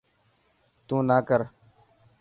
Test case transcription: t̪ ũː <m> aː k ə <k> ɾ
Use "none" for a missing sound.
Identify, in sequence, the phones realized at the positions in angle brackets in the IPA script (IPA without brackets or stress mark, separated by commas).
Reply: n, none